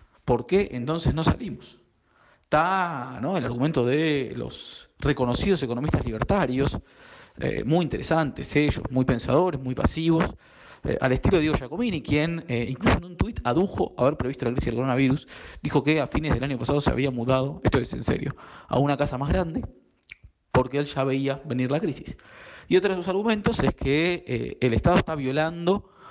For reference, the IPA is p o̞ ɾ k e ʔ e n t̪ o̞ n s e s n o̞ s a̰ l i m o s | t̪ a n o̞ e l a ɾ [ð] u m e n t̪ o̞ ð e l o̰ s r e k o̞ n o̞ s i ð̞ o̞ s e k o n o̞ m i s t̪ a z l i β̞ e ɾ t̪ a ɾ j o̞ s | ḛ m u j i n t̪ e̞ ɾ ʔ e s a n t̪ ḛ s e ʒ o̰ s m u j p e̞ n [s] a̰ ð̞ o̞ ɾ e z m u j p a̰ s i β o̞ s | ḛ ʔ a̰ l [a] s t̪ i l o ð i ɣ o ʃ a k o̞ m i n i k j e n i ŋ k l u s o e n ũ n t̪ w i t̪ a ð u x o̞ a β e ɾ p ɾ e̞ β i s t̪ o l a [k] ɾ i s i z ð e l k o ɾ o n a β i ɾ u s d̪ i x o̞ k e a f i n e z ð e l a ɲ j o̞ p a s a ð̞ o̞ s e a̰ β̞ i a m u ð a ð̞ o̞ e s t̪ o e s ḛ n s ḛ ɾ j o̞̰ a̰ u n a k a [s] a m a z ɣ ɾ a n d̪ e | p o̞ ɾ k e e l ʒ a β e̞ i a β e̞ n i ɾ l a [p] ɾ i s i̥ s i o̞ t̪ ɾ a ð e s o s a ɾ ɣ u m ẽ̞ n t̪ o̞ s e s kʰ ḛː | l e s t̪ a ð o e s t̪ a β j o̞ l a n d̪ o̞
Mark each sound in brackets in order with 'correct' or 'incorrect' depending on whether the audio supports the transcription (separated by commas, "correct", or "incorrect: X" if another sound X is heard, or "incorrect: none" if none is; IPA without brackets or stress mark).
incorrect: ɣ, correct, incorrect: e, correct, correct, incorrect: k